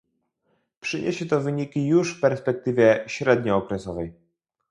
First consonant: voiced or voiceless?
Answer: voiceless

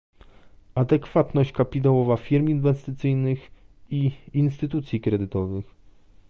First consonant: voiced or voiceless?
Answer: voiced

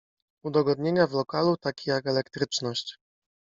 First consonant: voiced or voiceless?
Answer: voiced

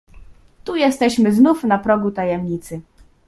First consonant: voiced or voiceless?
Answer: voiceless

